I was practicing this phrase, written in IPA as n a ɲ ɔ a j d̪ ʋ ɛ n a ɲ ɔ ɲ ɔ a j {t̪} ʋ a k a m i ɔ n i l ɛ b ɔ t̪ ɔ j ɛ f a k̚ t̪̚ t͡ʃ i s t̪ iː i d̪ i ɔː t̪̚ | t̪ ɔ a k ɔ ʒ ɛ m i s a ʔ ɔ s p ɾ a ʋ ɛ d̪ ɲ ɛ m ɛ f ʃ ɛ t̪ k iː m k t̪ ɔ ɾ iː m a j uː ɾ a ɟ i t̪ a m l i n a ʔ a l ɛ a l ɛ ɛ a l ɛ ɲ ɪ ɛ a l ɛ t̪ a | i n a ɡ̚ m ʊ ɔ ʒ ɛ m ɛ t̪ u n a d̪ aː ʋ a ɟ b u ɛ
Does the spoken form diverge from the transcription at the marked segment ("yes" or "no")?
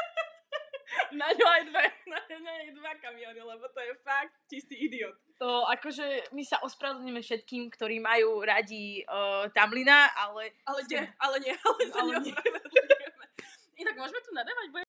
yes